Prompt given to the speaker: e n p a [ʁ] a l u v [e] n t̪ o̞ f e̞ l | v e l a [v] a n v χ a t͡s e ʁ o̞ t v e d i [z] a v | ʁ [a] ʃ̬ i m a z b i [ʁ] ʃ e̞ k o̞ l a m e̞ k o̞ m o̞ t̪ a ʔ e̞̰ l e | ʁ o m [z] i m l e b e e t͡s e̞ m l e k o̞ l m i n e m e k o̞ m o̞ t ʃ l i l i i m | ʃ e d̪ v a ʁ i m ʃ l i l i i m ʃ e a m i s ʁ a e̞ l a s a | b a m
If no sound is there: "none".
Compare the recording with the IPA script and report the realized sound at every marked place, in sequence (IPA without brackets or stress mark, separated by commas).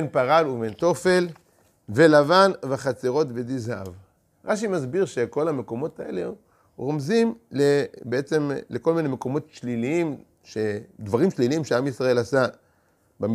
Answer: ʁ, e, v, z, a, ʁ, z